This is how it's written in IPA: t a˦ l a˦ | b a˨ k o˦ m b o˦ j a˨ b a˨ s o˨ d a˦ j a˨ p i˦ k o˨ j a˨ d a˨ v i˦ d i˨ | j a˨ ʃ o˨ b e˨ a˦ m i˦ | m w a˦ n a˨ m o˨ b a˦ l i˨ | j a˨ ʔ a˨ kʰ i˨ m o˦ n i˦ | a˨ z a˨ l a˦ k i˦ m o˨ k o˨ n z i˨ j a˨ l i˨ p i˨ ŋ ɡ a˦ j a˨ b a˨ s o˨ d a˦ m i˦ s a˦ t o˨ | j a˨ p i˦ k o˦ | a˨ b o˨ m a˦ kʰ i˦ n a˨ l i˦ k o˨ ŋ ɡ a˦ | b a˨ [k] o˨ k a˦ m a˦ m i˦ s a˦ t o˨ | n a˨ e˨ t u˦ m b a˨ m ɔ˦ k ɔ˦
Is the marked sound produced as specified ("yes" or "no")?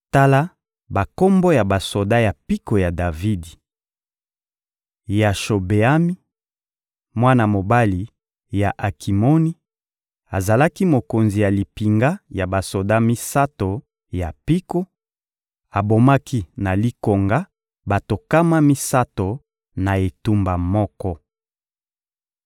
no